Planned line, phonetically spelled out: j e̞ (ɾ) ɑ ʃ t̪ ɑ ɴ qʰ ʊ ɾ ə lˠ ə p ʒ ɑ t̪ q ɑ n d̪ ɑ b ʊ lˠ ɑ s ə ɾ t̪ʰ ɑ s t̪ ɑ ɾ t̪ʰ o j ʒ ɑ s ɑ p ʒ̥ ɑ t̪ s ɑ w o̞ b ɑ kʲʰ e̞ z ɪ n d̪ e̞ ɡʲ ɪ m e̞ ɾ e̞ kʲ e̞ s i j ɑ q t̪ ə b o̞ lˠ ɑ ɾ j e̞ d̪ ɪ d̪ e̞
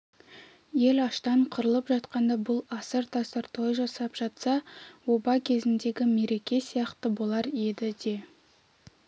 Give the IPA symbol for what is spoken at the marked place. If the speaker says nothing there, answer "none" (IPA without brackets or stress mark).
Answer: l